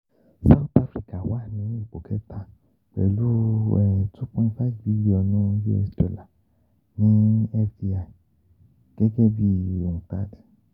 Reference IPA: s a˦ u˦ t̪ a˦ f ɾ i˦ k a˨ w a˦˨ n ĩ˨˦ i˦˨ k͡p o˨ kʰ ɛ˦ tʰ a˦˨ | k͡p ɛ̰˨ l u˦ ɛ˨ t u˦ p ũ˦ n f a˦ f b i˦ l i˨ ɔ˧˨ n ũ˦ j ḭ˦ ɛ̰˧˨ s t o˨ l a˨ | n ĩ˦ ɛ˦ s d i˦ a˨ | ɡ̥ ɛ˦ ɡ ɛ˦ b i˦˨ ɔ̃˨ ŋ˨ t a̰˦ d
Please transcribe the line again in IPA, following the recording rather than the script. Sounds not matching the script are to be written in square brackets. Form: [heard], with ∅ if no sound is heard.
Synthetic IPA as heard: s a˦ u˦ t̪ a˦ f ɾ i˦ k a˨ w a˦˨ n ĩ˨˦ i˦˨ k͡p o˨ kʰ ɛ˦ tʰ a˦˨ | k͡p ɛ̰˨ l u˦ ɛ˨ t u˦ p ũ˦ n f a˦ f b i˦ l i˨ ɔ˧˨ n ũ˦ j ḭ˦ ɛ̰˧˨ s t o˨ l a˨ | n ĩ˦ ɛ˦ [f] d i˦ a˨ | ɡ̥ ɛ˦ ɡ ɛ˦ b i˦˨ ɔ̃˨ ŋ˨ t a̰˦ d